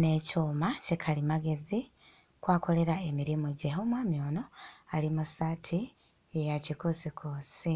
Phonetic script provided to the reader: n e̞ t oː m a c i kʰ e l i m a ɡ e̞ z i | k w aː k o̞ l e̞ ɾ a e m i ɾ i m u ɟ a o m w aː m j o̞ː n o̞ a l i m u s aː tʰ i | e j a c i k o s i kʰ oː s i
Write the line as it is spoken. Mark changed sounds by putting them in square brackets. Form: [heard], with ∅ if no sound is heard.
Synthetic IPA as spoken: n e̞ [c] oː m a c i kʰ [a] l i m a ɡ e̞ z i | k w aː k o̞ l e̞ ɾ a e m i ɾ i m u ɟ [e] o m w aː m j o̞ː n o̞ a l i m u s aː tʰ i | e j a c i k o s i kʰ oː s i